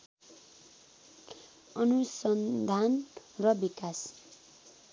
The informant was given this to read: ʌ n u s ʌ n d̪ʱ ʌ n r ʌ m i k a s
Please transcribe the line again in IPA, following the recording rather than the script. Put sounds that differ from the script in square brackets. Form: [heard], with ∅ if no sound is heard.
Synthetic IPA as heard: ʌ n u s ʌ n d̪ʱ [a] n r ʌ [b] i k a s